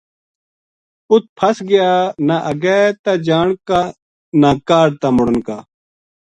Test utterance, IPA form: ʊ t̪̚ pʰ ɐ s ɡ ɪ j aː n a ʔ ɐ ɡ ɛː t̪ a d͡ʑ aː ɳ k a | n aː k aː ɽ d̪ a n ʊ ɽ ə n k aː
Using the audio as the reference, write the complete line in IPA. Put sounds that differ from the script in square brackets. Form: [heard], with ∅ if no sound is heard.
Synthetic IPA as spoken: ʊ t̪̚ pʰ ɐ s ɡ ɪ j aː n a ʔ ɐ ɡ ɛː t̪ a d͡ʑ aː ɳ k a | n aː k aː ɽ [t̪] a [m] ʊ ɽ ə n k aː

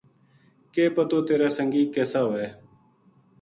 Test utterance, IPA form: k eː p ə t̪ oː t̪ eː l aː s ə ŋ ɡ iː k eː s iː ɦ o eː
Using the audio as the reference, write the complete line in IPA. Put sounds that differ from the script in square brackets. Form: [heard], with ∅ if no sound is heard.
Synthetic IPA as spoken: k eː p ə t̪ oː t̪ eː [ɾ] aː s ə ŋ ɡ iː k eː s [aː] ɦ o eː

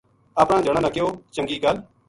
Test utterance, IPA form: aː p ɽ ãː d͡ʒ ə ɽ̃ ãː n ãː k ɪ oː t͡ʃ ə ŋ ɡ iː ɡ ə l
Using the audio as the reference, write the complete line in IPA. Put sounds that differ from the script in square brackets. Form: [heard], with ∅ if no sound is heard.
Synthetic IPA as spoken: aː p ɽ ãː d͡ʒ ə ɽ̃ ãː n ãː k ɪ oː t͡ʃ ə ŋ ɡ iː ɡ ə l

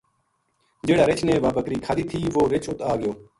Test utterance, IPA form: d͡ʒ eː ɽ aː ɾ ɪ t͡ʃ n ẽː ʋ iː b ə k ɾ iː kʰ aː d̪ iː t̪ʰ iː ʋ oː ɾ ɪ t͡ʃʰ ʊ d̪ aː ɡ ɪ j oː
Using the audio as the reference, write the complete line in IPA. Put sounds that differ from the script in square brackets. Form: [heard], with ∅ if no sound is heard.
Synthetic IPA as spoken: d͡ʒ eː ɽ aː ɾ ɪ t͡ʃ n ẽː ʋ [aː] b ə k ɾ iː kʰ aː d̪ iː t̪ʰ iː ʋ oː ɾ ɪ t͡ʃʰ ʊ [t̪] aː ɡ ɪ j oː

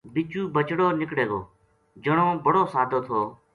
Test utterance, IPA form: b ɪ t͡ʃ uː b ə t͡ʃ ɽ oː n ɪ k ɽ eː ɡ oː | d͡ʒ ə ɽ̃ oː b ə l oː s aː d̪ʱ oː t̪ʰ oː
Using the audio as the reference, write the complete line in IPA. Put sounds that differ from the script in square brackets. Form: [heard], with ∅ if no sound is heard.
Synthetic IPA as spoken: b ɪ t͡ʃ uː b ə t͡ʃ ɽ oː n ɪ k ɽ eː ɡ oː | d͡ʒ ə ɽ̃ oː b ə [ɽ] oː s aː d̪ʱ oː t̪ʰ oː

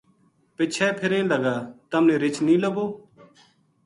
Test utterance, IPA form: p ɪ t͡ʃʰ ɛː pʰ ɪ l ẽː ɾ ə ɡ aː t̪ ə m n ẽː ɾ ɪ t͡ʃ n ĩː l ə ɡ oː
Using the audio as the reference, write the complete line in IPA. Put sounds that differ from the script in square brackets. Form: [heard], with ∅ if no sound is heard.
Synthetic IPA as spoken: p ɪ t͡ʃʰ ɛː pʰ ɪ [ɾ] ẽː [l] ə ɡ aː t̪ ə m n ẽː ɾ ɪ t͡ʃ n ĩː l ə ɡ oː

